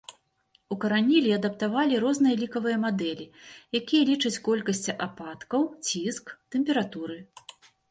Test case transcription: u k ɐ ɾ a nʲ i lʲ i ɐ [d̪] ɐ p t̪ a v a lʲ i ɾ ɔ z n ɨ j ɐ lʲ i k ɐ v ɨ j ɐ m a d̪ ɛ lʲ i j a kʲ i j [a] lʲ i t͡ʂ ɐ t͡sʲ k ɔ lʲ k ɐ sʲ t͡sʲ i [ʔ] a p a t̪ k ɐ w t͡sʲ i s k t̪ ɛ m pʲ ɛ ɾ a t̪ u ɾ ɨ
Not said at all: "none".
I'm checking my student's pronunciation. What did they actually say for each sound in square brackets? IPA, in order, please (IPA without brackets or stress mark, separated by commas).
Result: d̪, ɐ, ʔ